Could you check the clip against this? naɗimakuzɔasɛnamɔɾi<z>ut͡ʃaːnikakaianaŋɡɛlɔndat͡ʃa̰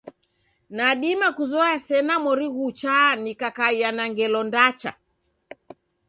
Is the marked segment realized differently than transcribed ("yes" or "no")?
yes